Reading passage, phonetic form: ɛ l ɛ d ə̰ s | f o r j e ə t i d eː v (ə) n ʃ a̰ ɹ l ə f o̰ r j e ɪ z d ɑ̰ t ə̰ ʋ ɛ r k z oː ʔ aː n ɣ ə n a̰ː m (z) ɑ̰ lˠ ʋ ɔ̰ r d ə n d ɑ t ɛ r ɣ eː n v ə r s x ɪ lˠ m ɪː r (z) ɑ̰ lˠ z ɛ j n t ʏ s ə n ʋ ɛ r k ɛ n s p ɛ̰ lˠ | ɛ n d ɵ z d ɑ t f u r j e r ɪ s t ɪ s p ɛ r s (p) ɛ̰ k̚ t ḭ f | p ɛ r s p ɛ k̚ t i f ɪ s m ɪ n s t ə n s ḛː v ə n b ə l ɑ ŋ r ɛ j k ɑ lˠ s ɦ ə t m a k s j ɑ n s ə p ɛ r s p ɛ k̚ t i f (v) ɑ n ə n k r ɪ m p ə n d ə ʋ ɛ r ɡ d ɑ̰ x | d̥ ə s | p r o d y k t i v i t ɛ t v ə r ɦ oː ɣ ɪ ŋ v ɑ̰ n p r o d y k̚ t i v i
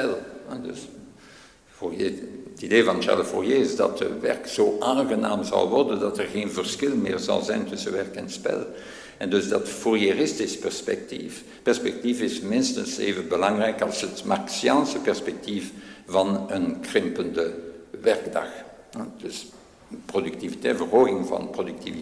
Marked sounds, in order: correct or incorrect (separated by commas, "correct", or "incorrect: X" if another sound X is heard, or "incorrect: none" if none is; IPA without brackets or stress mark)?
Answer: incorrect: ɑ, correct, correct, correct, correct